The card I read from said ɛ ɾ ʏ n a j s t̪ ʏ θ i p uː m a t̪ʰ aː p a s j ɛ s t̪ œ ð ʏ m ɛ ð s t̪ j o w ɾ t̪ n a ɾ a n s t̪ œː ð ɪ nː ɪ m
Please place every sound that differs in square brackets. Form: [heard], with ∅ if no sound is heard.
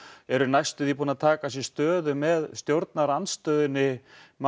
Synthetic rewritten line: ɛ ɾ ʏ n a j s t̪ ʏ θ i p uː [n] a t̪ʰ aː [k] a s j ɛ s t̪ [œː] ð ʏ m ɛ ð s t̪ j o w ɾ t̪ n a ɾ a n s t̪ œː ð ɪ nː ɪ m